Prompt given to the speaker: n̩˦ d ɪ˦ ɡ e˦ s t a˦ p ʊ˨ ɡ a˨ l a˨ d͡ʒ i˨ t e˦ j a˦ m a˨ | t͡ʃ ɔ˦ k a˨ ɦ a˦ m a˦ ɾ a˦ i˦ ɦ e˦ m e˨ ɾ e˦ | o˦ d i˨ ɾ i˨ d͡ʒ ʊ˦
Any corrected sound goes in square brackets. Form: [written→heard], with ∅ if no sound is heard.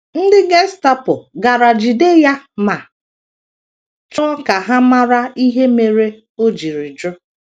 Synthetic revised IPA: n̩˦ d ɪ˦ ɡ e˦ s t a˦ p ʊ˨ ɡ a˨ [l→ɾ] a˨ d͡ʒ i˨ [t→d] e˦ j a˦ m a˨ | t͡ʃ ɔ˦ k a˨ ɦ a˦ m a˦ ɾ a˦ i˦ ɦ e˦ m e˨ ɾ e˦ | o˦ [d→d͡ʒ] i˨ ɾ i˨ d͡ʒ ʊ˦